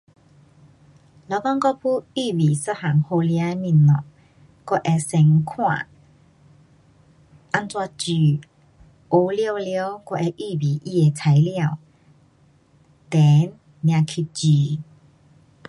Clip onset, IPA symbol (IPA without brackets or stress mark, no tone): l